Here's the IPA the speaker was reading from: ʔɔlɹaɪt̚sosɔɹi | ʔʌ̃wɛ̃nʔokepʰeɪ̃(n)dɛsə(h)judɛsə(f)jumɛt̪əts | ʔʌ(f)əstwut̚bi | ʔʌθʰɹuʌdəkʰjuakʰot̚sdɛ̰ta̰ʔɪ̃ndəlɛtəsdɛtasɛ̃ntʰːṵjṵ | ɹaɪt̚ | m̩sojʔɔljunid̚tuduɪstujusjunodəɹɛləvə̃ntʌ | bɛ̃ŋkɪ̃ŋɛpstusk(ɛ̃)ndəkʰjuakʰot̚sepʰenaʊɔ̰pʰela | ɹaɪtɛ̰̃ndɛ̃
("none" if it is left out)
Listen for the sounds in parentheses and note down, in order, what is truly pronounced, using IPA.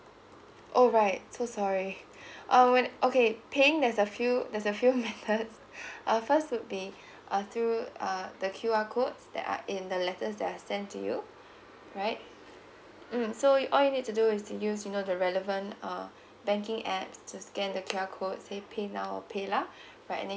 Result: ŋ, f, f, f, ɛ̃

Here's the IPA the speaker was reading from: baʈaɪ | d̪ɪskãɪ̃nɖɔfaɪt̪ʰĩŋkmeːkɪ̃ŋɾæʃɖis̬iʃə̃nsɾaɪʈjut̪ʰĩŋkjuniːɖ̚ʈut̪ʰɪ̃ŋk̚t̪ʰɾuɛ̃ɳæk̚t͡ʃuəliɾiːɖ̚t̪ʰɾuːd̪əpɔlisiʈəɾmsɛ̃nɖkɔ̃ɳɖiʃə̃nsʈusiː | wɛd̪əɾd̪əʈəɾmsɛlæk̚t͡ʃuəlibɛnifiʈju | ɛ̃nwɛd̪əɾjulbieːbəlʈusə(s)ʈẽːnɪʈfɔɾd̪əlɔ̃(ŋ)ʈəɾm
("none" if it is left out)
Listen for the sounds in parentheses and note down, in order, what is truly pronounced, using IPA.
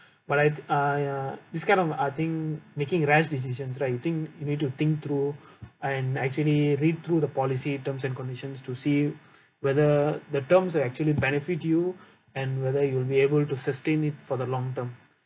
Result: s, ŋ

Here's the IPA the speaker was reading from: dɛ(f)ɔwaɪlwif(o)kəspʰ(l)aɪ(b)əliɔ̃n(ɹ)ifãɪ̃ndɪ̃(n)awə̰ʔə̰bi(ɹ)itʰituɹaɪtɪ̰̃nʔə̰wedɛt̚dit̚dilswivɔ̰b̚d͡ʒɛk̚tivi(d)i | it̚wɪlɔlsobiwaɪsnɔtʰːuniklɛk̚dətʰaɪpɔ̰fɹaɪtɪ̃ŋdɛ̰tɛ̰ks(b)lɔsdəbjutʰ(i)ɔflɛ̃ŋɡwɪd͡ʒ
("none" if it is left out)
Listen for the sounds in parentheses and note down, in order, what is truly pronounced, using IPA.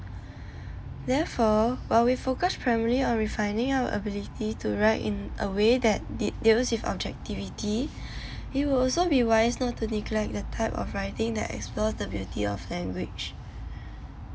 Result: f, o, ɹ, m, ɹ, ŋ, l, t, p, i

